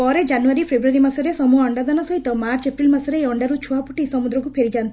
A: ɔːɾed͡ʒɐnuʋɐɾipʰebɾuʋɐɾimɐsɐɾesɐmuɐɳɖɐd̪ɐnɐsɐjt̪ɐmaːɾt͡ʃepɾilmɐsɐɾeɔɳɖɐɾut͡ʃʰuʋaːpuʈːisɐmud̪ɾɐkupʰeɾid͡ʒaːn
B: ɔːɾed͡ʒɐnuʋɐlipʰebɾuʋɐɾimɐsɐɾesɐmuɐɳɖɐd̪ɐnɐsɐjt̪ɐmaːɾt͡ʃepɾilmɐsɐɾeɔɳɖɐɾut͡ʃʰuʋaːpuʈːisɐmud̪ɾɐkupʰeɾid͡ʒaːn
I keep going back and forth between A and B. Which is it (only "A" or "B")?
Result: A